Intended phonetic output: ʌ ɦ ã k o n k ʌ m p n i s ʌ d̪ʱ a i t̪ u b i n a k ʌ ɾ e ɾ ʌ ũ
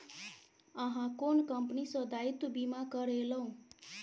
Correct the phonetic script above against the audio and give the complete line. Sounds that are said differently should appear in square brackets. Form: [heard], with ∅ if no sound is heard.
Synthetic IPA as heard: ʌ ɦ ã k o n k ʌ m p n i s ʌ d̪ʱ a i t̪ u b i [m] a k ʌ ɾ e [l] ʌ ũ